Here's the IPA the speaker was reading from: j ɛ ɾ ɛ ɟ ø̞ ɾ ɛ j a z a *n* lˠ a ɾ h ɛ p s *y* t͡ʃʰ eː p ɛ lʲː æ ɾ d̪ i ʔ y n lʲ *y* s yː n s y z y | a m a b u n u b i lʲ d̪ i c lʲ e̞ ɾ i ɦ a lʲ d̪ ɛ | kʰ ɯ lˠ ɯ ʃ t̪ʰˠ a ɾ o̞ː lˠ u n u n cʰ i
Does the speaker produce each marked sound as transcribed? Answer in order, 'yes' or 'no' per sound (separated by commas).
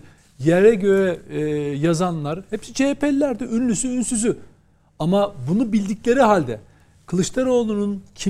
yes, no, yes